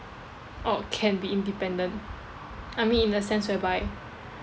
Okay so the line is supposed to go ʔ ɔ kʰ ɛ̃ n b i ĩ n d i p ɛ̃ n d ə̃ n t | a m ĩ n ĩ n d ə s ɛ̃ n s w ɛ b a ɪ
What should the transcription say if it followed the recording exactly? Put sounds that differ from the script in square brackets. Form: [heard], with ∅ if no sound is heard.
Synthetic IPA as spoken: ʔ ɔ kʰ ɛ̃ n b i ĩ n d i p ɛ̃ n d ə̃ n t | a m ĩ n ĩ n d ə s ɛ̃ n s w ɛ b a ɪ